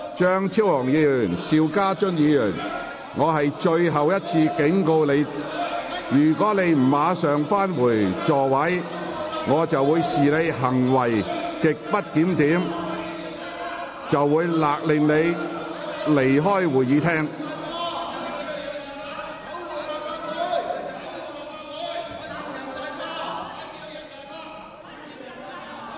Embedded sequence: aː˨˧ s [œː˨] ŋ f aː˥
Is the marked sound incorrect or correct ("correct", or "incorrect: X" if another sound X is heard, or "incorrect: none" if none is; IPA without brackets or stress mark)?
correct